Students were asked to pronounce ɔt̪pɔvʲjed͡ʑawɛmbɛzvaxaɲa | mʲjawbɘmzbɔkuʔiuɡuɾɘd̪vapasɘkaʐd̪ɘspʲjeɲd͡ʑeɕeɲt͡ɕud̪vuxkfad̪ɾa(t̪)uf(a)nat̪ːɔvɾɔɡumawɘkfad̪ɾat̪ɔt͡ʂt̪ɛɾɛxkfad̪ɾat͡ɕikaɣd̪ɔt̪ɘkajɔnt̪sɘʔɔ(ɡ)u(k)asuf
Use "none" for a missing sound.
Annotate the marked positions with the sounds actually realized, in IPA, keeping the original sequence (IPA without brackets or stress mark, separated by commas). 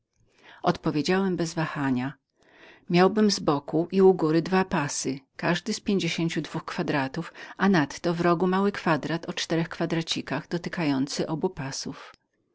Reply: t̪, a, b, p